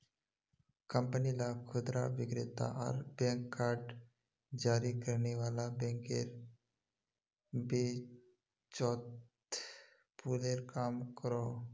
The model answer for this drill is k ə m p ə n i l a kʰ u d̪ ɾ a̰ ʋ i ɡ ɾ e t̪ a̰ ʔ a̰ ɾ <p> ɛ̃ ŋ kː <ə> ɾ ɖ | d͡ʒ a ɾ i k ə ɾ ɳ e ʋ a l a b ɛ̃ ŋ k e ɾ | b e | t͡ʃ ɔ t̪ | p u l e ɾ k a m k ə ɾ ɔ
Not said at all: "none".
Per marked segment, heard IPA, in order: b, a

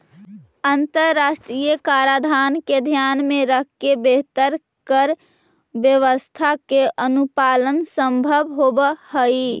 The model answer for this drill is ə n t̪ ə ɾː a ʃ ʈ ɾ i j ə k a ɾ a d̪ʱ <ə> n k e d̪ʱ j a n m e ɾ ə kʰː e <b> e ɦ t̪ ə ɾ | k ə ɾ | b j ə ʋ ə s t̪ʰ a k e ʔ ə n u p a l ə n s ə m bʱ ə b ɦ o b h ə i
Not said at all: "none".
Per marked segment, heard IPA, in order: a, b

